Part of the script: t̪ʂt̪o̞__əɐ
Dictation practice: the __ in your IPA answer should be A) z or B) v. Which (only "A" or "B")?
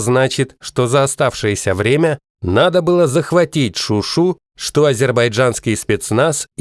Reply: A